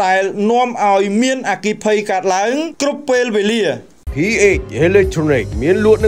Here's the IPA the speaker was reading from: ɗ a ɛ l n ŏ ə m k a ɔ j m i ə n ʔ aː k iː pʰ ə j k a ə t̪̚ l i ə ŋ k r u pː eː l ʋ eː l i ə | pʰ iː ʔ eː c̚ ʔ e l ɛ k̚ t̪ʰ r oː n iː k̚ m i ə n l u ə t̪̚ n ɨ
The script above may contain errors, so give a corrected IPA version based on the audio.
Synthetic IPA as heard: ɗ a ɛ l n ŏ ə m ʔ a ɔ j m i ə n ʔ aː k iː pʰ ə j k a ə t̪̚ l a ə ŋ k r u pː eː l ʋ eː l i ə | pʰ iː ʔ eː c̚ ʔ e l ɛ k̚ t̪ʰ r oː n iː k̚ m i ə n l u ə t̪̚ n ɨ